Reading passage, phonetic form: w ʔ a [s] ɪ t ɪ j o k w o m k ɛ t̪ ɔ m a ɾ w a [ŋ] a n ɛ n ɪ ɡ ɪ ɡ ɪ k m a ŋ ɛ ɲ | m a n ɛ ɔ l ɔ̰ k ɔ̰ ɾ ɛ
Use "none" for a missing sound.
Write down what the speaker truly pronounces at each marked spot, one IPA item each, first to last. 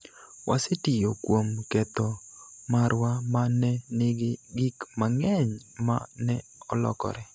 s, m

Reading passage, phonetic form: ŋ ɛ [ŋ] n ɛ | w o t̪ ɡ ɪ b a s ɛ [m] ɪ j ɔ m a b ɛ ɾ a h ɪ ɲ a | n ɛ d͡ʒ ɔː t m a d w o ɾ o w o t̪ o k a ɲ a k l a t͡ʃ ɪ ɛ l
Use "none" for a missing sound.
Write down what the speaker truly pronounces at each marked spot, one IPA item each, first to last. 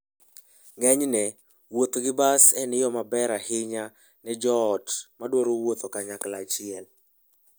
ɲ, n

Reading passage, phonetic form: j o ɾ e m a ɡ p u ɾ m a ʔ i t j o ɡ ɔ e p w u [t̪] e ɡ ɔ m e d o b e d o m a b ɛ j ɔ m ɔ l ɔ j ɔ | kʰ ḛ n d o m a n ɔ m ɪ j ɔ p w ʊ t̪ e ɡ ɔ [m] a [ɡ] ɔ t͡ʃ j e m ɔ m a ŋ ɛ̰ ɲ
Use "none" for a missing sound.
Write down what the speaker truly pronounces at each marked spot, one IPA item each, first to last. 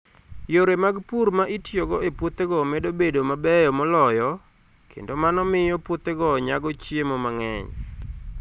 t̪, ɲ, ɡ

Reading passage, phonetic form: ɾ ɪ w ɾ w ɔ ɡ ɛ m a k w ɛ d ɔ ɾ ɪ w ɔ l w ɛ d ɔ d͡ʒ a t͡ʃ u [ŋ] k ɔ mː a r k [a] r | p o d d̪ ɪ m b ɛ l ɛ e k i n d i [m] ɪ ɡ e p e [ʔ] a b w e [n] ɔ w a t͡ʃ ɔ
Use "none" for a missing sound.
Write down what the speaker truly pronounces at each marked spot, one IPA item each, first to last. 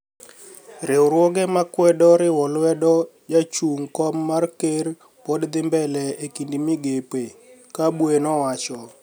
ŋ, e, m, k, n

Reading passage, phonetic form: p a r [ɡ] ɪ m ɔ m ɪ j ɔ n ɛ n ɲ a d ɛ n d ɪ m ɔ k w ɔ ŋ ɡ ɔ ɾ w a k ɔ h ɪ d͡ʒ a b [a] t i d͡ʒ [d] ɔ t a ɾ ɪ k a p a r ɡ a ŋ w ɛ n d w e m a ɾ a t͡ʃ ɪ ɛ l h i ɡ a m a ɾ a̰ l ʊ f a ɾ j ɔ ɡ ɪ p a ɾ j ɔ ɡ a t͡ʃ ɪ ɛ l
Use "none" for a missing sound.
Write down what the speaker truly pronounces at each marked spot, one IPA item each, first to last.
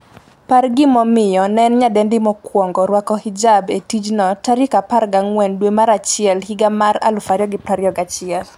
ɡ, e, n

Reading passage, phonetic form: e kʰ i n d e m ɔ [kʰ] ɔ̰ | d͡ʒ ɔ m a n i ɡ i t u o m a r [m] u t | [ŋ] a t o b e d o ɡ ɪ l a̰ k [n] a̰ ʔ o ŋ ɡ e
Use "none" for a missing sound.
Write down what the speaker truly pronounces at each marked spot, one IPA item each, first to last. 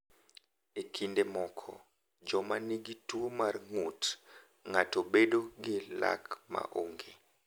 kʰ, ŋ, ŋ, m

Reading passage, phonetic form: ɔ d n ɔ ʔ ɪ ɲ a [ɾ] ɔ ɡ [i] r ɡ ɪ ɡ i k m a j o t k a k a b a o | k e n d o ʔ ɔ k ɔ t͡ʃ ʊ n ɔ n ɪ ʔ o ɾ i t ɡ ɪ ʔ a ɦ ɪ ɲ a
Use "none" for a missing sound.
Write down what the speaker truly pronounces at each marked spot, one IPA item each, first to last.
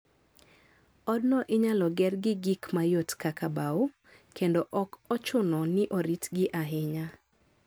l, ɛ

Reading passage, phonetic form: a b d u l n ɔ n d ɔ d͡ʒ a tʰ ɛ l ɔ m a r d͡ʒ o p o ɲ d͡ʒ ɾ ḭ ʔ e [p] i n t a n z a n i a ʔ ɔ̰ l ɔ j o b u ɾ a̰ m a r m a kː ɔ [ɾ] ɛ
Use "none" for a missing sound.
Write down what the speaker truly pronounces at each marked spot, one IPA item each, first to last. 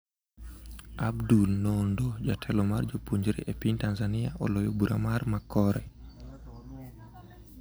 p, ɾ

